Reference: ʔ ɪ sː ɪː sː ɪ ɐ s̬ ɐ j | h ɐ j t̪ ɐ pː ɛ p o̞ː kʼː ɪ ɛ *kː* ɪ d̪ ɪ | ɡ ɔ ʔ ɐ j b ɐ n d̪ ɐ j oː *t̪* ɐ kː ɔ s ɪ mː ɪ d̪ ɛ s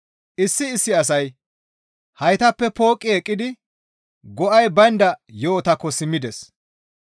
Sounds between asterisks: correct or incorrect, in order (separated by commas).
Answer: incorrect, correct